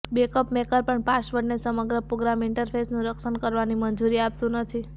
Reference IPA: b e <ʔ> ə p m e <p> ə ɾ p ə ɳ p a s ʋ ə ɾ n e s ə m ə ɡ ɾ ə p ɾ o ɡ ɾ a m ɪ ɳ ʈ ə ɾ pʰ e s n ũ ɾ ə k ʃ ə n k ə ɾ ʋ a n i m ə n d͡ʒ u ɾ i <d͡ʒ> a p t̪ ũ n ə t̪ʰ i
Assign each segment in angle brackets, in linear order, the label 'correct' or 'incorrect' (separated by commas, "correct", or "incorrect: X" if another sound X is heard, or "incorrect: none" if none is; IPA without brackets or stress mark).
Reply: incorrect: k, incorrect: k, incorrect: none